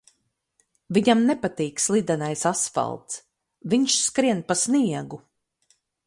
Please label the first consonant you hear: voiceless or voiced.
voiced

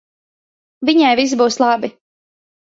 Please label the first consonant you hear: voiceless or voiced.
voiced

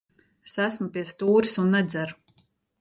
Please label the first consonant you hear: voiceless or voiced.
voiceless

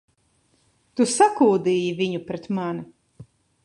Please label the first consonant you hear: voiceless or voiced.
voiceless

